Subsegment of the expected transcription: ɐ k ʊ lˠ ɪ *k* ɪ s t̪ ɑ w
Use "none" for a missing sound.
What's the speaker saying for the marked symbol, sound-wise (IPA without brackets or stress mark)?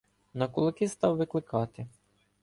k